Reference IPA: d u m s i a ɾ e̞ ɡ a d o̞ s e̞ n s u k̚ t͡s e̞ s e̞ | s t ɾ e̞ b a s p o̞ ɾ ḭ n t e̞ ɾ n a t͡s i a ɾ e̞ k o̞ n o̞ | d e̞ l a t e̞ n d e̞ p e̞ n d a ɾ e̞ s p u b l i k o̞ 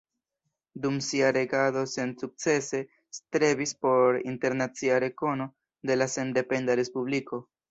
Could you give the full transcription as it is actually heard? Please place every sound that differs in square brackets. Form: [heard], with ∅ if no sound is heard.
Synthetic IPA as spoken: d u m s i a ɾ e̞ ɡ a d o̞ s e̞ n s u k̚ t͡s e̞ s e̞ | s t ɾ e̞ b [i] s p o̞ ɾ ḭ n t e̞ ɾ n a t͡s i a ɾ e̞ k o̞ n o̞ | d e̞ l a [s] e̞ n d e̞ p e̞ n d a ɾ e̞ s p u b l i k o̞